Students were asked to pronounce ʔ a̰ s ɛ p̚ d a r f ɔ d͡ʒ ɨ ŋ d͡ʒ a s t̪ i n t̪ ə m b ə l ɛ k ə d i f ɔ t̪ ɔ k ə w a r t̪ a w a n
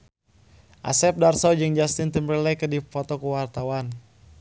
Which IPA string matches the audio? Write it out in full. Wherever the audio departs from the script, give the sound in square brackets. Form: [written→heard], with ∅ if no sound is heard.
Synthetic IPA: ʔ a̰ s ɛ p̚ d a r [f→s] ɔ d͡ʒ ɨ ŋ d͡ʒ a s t̪ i n t̪ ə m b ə l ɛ k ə d i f ɔ t̪ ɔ k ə w a r t̪ a w a n